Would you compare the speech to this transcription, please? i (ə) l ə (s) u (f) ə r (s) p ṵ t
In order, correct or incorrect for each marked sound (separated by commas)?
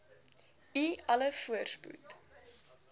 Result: incorrect, incorrect, incorrect, correct